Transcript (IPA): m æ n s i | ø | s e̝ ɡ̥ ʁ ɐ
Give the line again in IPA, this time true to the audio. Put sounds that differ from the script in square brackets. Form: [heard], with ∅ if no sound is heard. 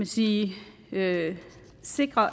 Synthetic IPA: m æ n s [iː] | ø | s e̝ ɡ̥ ʁ ɐ